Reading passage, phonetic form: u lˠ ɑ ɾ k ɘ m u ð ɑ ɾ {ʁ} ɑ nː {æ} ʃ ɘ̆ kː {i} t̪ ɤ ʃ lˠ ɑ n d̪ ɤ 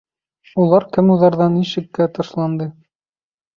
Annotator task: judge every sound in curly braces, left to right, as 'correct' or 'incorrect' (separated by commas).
incorrect, incorrect, incorrect